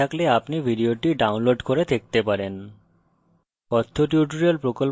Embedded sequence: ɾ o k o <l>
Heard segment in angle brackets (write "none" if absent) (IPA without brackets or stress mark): l